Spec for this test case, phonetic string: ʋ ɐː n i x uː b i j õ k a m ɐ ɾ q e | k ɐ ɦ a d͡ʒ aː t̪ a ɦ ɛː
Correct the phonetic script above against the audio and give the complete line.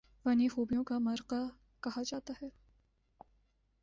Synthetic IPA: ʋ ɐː n i x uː b i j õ k a m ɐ ɾ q a | k ɐ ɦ a d͡ʒ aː t̪ a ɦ ɛː

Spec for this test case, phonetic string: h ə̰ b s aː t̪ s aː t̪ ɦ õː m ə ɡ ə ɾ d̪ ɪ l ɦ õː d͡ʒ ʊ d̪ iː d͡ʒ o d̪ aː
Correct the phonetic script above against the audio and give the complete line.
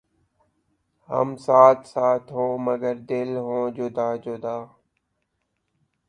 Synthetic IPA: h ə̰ m s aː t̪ s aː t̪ ɦ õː m ə ɡ ə ɾ d̪ ɪ l ɦ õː d͡ʒ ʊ d̪ aː d͡ʒ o d̪ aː

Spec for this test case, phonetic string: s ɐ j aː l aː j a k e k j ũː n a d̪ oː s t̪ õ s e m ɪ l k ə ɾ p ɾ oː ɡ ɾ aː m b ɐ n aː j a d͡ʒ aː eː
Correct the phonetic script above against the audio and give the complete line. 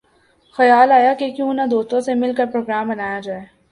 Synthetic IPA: x ɐ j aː l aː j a k e k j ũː n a d̪ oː s t̪ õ s e m ɪ l k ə ɾ p ɾ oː ɡ ɾ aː m b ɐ n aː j a d͡ʒ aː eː

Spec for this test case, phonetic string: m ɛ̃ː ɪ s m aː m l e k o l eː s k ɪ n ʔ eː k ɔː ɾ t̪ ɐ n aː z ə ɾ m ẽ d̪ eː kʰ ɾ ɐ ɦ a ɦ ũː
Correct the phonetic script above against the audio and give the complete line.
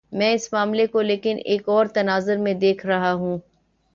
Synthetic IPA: m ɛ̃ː ɪ s m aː m l e k o l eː k ɪ n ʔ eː k ɔː ɾ t̪ ɐ n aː z ə ɾ m ẽ d̪ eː kʰ ɾ ɐ ɦ a ɦ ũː

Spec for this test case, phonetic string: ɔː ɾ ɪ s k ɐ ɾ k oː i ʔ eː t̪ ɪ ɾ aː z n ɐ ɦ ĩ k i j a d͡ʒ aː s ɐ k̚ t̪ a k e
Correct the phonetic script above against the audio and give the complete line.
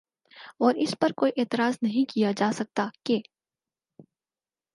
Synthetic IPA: ɔː ɾ ɪ s p ɐ ɾ k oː i ʔ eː t̪ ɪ ɾ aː z n ɐ ɦ ĩ k i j a d͡ʒ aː s ɐ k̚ t̪ a k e

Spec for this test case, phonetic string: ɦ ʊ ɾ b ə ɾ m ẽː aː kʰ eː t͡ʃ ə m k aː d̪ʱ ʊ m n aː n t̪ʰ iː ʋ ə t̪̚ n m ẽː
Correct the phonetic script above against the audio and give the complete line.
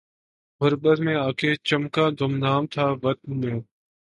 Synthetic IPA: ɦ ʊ ɾ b ə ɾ m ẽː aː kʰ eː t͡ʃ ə m k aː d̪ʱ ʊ m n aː m t̪ʰ aː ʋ ə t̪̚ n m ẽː

